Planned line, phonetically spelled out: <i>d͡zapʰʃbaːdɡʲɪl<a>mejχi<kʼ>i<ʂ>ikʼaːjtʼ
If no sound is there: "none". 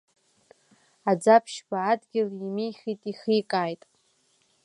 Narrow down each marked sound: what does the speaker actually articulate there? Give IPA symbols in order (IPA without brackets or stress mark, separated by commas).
a, i, tʼ, χ